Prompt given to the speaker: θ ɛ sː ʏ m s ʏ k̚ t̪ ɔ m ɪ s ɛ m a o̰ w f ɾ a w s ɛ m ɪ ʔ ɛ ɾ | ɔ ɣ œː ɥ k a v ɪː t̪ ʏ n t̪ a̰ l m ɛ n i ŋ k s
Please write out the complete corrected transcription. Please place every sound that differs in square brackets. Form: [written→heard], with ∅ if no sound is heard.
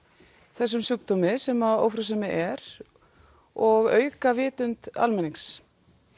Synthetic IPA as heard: θ ɛ sː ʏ m s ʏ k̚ t̪ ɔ m ɪ s ɛ m a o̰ w f ɾ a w s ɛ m ɪ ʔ ɛ ɾ | ɔ ɣ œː ɥ k a v ɪː t̪ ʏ n t̪ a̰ l m ɛ n i ŋ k s